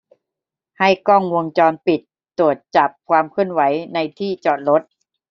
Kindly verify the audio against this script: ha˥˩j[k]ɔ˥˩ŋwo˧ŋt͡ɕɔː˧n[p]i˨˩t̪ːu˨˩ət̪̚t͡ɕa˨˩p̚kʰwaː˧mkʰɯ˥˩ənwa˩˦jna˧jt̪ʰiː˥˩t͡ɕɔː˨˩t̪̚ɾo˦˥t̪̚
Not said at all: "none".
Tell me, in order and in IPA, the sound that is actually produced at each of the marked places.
k, p

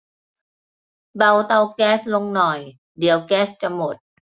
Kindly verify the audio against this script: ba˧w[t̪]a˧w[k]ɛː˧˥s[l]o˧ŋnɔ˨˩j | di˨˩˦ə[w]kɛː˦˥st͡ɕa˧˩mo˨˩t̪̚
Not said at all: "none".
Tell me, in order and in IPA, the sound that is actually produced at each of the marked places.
t̪, k, l, w

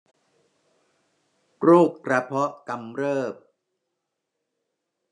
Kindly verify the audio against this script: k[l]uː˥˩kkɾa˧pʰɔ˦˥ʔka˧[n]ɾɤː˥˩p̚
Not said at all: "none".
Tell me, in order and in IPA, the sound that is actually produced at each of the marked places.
ɾ, m

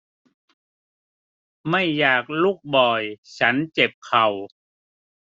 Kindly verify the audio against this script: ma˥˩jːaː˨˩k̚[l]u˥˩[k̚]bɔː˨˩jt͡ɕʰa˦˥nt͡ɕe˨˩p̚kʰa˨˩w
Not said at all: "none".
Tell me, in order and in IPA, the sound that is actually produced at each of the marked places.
l, k̚

